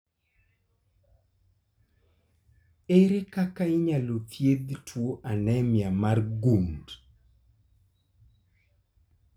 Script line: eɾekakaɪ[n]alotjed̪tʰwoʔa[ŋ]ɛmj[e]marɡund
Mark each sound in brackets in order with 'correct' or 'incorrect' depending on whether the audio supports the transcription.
incorrect: ɲ, incorrect: n, incorrect: a

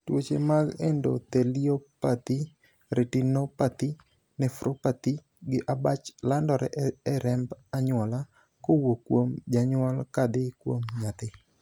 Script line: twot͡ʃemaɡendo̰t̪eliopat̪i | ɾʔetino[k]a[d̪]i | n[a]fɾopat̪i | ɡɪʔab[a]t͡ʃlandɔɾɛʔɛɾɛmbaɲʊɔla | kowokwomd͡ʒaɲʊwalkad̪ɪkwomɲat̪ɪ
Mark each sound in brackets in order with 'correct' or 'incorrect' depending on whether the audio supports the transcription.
incorrect: p, incorrect: t̪, incorrect: ɛ, correct

